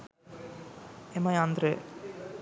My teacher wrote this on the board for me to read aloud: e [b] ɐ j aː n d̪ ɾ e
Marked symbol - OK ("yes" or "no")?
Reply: no